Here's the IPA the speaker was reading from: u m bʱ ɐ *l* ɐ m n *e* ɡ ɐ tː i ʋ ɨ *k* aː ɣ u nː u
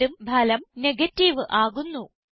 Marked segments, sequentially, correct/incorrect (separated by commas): correct, correct, incorrect